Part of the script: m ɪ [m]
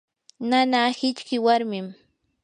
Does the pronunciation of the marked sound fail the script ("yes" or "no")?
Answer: no